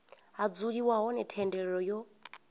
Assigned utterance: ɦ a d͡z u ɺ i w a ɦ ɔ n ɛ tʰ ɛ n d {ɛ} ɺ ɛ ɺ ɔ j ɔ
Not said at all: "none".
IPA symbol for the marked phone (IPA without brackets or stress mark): ɛ